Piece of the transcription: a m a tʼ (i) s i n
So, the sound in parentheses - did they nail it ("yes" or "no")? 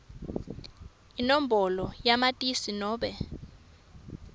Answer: yes